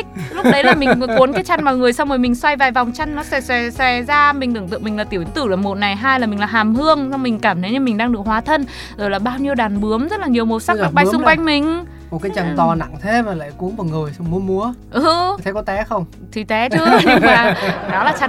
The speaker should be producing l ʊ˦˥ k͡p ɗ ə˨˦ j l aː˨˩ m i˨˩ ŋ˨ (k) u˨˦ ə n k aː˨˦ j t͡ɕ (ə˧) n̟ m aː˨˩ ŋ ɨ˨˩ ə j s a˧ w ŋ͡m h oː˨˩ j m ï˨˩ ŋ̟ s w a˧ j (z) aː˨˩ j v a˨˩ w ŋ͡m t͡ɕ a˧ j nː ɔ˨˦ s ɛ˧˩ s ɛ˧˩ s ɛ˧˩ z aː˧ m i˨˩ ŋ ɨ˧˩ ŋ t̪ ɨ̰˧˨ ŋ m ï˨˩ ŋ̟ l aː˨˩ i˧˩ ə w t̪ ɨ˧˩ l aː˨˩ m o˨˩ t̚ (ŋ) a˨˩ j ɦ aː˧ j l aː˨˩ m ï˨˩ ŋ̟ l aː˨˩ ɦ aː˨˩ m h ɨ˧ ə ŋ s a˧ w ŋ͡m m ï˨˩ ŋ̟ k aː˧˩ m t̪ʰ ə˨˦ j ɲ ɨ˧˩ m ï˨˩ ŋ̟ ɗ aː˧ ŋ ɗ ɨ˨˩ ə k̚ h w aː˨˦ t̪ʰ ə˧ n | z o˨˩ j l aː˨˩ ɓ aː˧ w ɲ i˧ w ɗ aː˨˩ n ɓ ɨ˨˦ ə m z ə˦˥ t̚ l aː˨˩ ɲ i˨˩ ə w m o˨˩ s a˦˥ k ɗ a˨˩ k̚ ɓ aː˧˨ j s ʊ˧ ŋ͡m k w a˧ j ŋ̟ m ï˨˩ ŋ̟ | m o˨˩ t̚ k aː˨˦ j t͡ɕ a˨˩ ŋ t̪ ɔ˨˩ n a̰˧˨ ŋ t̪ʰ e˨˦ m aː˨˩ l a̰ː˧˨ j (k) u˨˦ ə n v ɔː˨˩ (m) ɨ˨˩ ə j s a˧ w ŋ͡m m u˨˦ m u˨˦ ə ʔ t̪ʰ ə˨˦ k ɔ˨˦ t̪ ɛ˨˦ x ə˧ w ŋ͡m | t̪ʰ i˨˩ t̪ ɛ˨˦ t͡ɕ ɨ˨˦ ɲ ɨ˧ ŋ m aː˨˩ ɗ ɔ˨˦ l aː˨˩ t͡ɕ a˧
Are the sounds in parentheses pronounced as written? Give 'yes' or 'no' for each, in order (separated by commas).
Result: yes, no, no, no, yes, no